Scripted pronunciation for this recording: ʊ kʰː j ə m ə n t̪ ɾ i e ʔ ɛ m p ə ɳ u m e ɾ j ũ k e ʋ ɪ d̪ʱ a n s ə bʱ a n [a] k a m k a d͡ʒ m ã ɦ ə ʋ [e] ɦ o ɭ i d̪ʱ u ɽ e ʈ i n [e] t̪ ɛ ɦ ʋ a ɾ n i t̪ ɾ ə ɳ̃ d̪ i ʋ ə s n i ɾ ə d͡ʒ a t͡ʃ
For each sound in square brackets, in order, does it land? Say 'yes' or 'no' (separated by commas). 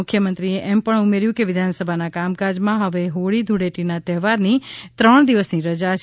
yes, yes, no